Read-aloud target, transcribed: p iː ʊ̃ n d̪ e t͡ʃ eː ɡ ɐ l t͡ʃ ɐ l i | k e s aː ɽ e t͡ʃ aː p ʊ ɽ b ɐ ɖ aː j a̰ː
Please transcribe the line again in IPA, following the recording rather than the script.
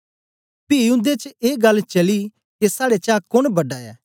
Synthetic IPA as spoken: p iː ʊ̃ n d̪ e t͡ʃ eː ɡ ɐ l t͡ʃ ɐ l i | k e s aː ɽ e t͡ʃ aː k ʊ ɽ b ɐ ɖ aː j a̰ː